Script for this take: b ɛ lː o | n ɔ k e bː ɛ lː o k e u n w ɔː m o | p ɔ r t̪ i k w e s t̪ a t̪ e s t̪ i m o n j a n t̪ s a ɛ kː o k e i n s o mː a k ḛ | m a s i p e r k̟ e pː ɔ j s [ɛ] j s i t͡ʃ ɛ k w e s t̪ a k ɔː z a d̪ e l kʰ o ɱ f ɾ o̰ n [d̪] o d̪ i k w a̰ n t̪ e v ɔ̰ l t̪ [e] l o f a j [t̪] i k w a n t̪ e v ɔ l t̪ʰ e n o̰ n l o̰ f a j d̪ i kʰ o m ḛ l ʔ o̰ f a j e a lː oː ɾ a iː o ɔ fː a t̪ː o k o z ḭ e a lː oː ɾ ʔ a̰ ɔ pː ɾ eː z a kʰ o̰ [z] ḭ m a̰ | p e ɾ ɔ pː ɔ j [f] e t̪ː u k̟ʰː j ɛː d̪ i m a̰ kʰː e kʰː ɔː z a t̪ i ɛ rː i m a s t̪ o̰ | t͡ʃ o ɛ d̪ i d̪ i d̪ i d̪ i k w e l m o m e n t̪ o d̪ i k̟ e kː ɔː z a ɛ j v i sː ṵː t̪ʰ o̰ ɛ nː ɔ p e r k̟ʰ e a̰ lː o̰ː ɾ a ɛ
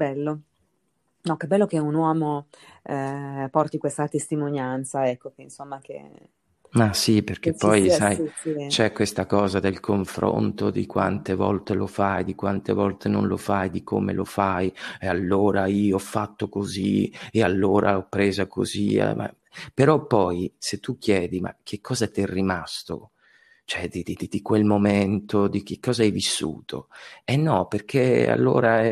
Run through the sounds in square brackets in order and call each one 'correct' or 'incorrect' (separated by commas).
incorrect, incorrect, correct, incorrect, correct, incorrect